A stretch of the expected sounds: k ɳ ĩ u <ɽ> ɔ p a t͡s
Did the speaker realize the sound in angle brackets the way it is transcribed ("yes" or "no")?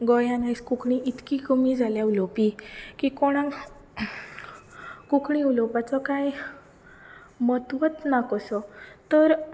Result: no